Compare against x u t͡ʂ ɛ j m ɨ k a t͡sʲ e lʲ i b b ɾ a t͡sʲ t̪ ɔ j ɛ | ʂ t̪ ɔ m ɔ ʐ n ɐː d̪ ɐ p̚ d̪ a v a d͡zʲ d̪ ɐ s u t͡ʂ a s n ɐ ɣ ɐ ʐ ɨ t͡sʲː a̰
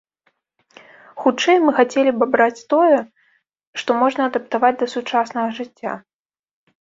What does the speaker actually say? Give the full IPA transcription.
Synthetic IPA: x u t͡ʂ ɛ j m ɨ x a t͡sʲ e lʲ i b b ɾ a t͡sʲ t̪ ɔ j ɛ | ʂ t̪ ɔ m ɔ ʐ n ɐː d̪ ɐ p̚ t̪ a v a d͡zʲ d̪ ɐ s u t͡ʂ a s n ɐ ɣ ɐ ʐ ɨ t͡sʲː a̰